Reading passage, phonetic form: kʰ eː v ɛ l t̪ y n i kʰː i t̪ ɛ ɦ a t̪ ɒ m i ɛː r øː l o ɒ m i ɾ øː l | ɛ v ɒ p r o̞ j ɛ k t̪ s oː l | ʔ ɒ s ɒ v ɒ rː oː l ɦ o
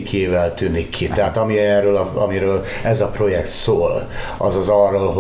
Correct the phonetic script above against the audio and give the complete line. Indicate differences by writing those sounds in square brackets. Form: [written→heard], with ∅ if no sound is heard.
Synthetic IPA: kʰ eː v ɛ l t̪ y n i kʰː i t̪ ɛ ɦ a t̪ ɒ m i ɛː r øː l [o→ɒ] ɒ m i ɾ øː l | ɛ [v→z] ɒ p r o̞ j ɛ k t̪ s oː l | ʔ ɒ [s→z] ɒ [v→z] ɒ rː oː l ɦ o